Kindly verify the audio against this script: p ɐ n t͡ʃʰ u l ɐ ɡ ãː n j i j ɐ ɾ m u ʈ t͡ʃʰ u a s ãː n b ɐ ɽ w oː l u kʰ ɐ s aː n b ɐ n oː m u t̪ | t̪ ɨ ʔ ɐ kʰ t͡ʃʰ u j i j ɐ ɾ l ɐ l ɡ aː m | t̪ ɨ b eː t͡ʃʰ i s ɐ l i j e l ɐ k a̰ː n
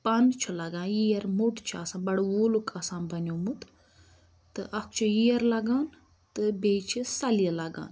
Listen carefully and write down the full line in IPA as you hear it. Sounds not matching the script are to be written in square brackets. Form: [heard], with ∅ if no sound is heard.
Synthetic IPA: p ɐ n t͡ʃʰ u l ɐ ɡ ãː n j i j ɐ ɾ m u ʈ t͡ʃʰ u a s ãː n b ɐ ɽ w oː l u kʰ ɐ s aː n b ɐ n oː m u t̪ | t̪ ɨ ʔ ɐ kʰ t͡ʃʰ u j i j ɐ ɾ l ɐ [∅] ɡ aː [n] | t̪ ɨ b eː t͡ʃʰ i s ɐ l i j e l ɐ [ɡ] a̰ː n